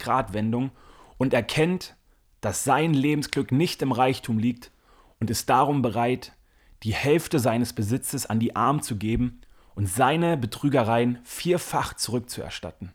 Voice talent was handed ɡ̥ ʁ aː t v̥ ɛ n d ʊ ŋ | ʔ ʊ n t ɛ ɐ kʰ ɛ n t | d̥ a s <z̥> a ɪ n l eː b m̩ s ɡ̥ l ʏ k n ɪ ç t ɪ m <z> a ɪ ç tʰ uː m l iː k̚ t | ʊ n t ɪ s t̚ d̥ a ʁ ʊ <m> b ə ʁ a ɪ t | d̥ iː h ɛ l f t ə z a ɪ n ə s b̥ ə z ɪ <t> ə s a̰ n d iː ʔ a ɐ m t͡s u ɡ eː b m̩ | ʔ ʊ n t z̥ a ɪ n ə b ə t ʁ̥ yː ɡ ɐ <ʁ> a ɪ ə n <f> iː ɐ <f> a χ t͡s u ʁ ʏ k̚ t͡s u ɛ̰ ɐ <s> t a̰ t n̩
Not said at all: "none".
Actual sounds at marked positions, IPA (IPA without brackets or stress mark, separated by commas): z̥, ʁ, m, t͡s, ʁ, f, f, ʃ